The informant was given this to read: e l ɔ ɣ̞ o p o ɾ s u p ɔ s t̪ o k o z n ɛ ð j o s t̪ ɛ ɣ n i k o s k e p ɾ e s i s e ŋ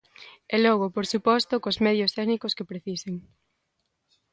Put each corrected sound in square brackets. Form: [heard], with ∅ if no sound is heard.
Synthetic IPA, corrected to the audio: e l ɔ ɣ̞ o p o ɾ s u p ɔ s t̪ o k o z [m] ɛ ð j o s t̪ ɛ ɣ n i k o s k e p ɾ e [θ] i s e ŋ